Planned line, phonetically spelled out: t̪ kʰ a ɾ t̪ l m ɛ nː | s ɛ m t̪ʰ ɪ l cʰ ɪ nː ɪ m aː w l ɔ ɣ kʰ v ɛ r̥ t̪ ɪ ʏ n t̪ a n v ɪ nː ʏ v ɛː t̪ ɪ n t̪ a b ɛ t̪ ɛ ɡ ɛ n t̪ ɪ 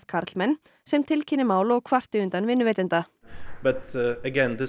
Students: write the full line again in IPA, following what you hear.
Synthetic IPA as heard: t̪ kʰ a ɾ t̪ l m ɛ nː | s ɛ m t̪ʰ ɪ l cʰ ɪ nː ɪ m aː w l ɔ ɣ kʰ v a r̥ t̪ ɪ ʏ n t̪ a n v ɪ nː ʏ v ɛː t̪ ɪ n t̪ a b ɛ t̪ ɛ ɡ ɛ n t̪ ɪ